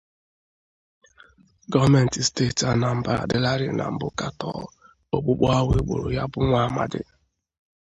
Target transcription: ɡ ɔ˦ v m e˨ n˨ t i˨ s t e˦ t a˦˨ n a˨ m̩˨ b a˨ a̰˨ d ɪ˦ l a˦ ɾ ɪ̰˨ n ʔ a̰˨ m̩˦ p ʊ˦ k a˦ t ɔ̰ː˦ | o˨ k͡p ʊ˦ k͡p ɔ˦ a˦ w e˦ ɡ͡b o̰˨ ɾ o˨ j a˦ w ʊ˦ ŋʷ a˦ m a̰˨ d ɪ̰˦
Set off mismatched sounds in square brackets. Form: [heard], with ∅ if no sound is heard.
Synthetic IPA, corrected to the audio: ɡ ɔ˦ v m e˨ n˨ t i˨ s t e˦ t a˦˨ n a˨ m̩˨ b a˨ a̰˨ d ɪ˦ l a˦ ɾ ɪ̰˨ n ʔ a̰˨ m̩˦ [b] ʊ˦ k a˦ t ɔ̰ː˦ | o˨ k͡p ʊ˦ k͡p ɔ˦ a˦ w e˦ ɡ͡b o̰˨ ɾ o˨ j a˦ [b] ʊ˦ ŋʷ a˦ m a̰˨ d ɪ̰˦